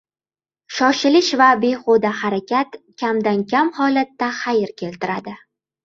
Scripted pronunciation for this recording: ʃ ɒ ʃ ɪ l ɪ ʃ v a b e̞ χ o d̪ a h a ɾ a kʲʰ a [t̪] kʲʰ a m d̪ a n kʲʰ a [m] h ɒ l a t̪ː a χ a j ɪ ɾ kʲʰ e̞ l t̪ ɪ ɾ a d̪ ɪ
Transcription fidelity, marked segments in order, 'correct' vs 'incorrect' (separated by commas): correct, correct